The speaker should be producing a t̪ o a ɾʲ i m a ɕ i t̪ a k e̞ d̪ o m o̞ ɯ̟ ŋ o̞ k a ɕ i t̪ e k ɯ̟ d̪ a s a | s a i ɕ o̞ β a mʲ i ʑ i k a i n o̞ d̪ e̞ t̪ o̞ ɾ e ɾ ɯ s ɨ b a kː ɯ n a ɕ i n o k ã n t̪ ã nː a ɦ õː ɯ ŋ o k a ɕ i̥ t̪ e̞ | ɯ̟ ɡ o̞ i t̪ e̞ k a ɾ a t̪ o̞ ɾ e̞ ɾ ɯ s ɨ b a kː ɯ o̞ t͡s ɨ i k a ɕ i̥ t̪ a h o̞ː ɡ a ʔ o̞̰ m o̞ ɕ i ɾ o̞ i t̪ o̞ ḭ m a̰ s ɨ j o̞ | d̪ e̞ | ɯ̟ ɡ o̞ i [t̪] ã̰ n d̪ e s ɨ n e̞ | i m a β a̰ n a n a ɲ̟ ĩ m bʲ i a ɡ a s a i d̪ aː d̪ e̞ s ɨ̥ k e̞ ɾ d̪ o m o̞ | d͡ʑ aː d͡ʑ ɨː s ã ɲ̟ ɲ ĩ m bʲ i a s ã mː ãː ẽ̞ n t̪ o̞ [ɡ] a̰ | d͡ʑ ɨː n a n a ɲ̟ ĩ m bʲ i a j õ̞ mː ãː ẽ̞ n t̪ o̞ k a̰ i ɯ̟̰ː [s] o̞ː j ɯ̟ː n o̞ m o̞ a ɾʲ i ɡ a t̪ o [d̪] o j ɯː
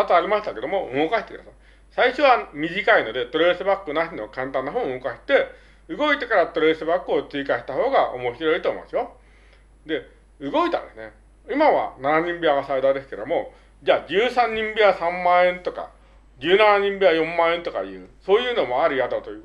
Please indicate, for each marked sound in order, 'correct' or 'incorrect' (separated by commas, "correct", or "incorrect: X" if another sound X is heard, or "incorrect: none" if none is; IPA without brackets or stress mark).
correct, incorrect: k, correct, incorrect: t̪